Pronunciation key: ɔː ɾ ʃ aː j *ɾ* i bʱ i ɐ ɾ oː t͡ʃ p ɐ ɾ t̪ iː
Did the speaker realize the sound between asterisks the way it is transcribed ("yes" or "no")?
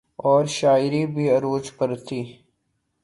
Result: yes